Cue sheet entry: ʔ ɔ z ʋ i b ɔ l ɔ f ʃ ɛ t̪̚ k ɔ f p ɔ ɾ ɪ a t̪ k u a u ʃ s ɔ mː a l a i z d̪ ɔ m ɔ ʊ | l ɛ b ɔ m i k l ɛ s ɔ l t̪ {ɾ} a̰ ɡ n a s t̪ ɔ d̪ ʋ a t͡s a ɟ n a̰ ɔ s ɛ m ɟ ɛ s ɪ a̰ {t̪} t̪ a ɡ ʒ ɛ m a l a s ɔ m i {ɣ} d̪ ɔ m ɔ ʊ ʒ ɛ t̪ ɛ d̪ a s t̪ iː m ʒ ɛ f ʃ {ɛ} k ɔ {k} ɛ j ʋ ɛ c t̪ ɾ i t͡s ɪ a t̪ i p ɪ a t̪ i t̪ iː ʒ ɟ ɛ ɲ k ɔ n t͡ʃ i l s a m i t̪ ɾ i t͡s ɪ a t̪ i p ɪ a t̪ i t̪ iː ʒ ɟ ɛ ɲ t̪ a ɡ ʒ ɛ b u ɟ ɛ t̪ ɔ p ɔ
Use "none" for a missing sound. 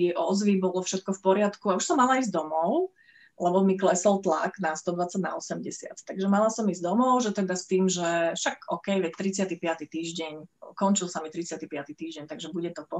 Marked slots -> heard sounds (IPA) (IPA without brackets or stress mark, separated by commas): l, t̪, z, a, k